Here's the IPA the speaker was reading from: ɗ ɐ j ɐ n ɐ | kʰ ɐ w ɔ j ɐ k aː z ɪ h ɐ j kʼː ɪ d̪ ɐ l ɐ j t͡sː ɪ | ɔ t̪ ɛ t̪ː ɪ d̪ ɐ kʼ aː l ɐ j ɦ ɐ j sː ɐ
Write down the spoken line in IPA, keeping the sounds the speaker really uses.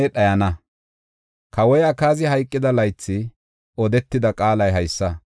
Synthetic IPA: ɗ ɐ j ɐ n ɐ | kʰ ɐ w ɔ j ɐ k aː z ɪ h ɐ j kʼː ɪ d̪ ɐ l ɐ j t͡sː ɪ | ɔ d̪ ɛ t̪ː ɪ d̪ ɐ kʼ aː l ɐ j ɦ ɐ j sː ɐ